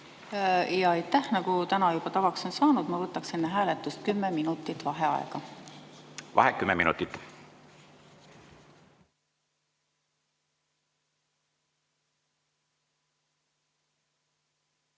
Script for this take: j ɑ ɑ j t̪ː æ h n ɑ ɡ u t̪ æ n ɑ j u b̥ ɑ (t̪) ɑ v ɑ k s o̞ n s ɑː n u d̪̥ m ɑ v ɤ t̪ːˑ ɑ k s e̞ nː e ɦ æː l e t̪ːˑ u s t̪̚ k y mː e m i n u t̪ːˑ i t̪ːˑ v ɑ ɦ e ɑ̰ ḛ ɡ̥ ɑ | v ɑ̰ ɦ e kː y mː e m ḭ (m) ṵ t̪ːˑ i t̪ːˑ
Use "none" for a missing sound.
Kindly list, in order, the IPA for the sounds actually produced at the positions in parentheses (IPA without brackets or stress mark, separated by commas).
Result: t̪, n